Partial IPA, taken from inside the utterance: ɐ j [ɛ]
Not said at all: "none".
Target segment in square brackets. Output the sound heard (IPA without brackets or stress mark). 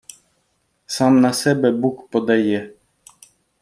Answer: ɛ